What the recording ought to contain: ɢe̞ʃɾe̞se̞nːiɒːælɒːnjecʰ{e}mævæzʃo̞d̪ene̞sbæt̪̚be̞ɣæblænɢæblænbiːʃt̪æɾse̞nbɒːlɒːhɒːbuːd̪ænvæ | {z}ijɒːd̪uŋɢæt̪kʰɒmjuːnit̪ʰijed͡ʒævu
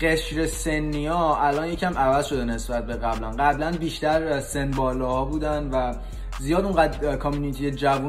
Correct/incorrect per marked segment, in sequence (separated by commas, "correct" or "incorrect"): incorrect, correct